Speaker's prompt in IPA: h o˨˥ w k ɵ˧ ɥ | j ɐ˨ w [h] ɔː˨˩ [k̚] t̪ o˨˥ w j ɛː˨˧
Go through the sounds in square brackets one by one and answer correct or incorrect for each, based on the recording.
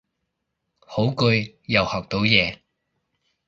correct, correct

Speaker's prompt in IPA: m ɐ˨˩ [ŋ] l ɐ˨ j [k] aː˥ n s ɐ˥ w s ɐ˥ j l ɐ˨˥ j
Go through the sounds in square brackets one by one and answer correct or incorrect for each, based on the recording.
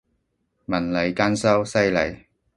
incorrect: n, correct

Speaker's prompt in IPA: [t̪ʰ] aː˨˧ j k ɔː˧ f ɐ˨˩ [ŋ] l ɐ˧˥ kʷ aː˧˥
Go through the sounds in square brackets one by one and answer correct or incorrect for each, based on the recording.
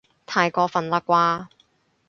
correct, incorrect: n

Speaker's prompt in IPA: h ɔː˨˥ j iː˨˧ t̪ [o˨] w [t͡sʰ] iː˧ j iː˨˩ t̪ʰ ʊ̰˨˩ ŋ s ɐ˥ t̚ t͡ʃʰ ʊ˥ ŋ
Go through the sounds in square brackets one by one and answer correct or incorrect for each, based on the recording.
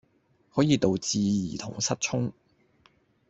correct, incorrect: t͡s

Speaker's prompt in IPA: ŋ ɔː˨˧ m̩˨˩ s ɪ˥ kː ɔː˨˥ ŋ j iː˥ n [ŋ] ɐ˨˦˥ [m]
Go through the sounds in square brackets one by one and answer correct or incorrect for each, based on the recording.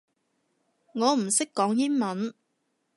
incorrect: m, incorrect: n

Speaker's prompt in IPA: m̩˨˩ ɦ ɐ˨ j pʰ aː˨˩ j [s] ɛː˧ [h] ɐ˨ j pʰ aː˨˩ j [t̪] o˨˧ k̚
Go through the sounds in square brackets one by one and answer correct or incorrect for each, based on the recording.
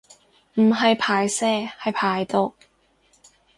correct, correct, correct

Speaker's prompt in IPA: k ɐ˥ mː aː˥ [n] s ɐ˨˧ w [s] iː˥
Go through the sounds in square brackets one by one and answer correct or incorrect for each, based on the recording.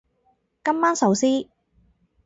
correct, correct

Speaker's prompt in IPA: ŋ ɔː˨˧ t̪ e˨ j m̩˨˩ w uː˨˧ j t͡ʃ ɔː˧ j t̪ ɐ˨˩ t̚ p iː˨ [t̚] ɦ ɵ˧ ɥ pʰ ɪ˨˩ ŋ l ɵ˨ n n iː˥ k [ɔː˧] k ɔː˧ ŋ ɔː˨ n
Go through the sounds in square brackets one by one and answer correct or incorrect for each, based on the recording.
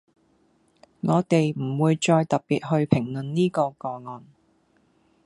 correct, correct

